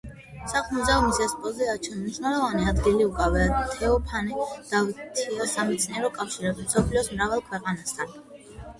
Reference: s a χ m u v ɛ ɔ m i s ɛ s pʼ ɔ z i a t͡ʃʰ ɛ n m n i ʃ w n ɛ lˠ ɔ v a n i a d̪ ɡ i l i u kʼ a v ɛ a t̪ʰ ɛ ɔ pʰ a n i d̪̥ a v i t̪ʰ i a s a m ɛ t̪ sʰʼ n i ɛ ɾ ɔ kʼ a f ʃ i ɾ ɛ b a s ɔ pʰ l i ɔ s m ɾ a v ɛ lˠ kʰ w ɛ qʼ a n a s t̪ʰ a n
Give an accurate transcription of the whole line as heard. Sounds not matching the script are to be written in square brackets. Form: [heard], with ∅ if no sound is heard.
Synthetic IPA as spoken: s a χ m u [z] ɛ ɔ m i s ɛ s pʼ ɔ z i a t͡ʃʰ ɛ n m n i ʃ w n ɛ lˠ ɔ v a n i a d̪ ɡ i l i u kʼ a v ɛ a t̪ʰ ɛ ɔ pʰ a n i d̪̥ a v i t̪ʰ i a s a m ɛ t̪ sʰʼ n i ɛ ɾ ɔ kʼ a f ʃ i ɾ ɛ b [i] s ɔ pʰ l i ɔ s m ɾ a v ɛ lˠ kʰ w ɛ qʼ a n a s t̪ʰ a n

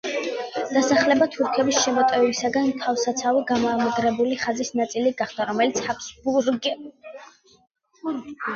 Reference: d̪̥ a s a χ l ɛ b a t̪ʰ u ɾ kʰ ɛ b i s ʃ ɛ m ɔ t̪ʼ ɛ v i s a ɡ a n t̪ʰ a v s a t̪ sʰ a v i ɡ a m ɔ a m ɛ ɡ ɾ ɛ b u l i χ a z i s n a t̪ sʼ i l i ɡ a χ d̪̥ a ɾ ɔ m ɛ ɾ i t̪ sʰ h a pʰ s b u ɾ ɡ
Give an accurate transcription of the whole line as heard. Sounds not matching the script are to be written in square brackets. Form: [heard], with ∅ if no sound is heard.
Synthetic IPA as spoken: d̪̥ a s a χ l ɛ b a t̪ʰ u ɾ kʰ ɛ b i s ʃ ɛ m ɔ t̪ʼ ɛ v i s a ɡ a n t̪ʰ a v s a t̪ sʰ a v i ɡ a m ɔ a m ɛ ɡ ɾ ɛ b u l i χ a z i s n a t̪ sʼ i l i ɡ a χ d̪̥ a ɾ ɔ m ɛ [l] i t̪ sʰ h a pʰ s b u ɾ ɡ

